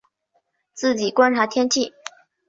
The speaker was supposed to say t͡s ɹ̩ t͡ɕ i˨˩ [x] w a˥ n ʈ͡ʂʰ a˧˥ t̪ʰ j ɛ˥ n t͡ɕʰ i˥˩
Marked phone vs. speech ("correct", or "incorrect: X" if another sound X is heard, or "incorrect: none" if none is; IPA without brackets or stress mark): incorrect: k